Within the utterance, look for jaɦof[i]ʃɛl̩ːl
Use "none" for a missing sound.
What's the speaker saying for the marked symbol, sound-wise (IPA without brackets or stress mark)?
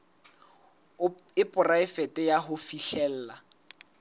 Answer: i